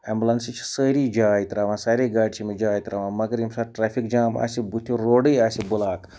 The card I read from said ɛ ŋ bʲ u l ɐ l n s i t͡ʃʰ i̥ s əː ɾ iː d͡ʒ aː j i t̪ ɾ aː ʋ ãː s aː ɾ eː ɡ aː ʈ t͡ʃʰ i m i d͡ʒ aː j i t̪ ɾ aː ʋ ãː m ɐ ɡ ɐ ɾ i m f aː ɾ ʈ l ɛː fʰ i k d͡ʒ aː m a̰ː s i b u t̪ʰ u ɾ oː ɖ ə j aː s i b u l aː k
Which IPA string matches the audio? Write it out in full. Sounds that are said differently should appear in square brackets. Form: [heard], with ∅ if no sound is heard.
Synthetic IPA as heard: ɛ [m] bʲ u l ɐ [∅] n s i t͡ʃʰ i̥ s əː ɾ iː d͡ʒ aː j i t̪ ɾ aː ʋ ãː s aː ɾ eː ɡ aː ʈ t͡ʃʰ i m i d͡ʒ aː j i t̪ ɾ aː ʋ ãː m ɐ ɡ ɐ ɾ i m [s] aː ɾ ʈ [ɾ] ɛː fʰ i k d͡ʒ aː m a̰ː s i b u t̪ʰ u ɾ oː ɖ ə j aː s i b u l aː k